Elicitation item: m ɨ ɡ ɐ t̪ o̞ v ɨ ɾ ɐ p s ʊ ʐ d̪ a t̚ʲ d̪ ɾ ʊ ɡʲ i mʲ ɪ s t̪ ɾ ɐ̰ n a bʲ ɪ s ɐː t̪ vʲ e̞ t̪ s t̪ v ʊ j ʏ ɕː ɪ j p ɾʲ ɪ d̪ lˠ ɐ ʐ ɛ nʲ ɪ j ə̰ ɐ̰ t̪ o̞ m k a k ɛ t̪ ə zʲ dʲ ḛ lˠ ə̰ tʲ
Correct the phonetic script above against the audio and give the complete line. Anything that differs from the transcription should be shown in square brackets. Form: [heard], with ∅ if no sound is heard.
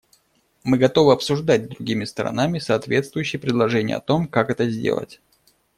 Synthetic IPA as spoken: m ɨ ɡ ɐ t̪ o̞ v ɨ [∅] ɐ p s ʊ ʐ d̪ a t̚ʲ d̪ ɾ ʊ ɡʲ i mʲ ɪ s t̪ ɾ ɐ̰ n a [mʲ] ɪ s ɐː t̪ vʲ e̞ t̪ s t̪ v ʊ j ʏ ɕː ɪ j p ɾʲ ɪ d̪ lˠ ɐ ʐ ɛ nʲ ɪ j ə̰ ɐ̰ t̪ o̞ m k a k ɛ t̪ ə zʲ dʲ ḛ lˠ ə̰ tʲ